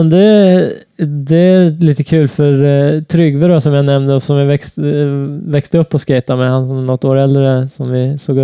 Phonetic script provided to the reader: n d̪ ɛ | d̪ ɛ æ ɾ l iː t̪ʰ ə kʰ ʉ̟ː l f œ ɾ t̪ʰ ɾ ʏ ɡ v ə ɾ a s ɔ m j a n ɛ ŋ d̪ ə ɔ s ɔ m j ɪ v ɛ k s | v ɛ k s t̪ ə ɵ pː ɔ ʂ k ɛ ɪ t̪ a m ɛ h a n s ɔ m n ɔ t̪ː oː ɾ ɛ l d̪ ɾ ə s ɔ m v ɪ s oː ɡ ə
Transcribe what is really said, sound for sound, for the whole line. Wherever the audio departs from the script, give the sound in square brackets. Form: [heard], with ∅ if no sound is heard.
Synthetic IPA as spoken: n d̪ ɛ | d̪ ɛ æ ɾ l iː [t̪] ə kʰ ʉ̟ː l f œ ɾ t̪ʰ ɾ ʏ ɡ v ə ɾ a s ɔ m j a n ɛ [m] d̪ ə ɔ s ɔ m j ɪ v ɛ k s | v ɛ k s t̪ ə ɵ pː ɔ [s] k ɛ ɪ t̪ a m ɛ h a n s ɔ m n ɔ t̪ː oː ɾ ɛ l d̪ ɾ ə s ɔ m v ɪ s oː ɡ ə